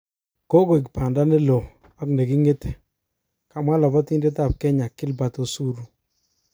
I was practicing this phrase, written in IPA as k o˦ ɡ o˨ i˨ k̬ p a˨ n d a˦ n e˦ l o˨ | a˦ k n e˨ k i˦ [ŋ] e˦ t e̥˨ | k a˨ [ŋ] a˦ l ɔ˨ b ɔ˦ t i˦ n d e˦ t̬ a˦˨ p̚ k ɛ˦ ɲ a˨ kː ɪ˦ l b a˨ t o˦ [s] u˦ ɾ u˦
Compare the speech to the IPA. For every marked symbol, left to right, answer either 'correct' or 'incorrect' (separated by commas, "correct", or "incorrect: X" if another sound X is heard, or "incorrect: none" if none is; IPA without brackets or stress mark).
correct, incorrect: m, correct